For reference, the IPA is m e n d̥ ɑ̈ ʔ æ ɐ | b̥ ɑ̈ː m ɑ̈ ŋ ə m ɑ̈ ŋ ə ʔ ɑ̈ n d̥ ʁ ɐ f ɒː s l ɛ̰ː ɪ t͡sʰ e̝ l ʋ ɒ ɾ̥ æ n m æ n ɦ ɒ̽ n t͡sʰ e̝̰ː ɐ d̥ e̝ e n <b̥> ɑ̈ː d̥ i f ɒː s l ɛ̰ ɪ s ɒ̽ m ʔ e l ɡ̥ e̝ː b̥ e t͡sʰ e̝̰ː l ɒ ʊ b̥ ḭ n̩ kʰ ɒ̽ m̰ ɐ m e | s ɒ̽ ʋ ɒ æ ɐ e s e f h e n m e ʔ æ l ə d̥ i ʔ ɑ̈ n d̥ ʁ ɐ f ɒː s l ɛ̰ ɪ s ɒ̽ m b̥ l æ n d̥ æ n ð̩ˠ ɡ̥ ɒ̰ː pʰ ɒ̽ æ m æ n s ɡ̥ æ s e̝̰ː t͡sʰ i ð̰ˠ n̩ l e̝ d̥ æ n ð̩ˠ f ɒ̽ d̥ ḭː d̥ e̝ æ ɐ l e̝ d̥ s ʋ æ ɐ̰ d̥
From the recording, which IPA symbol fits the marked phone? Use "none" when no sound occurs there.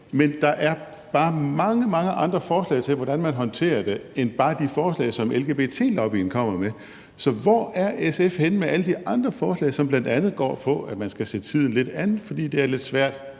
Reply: b̥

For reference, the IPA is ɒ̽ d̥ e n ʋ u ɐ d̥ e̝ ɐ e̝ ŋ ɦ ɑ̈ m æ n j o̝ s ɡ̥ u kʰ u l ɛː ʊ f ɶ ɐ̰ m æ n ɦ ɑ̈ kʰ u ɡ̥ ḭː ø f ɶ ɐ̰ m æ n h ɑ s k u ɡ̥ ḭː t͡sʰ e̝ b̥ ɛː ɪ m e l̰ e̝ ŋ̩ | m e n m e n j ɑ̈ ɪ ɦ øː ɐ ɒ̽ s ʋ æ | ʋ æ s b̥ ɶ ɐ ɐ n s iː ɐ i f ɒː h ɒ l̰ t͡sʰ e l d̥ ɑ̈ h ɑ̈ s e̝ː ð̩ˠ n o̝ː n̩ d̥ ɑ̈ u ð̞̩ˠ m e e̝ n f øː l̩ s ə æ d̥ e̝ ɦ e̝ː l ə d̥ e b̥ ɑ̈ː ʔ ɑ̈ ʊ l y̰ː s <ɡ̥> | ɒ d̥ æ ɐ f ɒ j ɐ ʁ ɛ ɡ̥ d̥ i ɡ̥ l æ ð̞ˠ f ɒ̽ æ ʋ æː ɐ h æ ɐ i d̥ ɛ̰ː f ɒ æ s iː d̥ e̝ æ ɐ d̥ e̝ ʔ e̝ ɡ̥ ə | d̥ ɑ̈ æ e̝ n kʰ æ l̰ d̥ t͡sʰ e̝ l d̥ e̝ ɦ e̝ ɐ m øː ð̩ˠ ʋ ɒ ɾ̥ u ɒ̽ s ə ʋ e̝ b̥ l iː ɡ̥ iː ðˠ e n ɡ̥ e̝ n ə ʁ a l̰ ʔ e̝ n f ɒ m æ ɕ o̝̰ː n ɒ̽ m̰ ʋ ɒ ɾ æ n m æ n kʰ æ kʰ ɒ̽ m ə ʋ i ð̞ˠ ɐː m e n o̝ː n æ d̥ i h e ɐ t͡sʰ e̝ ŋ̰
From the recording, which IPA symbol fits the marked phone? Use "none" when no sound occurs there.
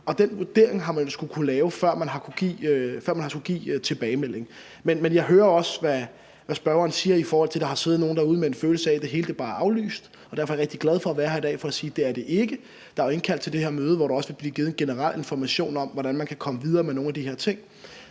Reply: d̥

